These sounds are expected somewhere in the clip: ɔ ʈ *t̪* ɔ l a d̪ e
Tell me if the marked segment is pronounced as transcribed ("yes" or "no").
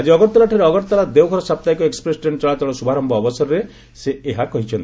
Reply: yes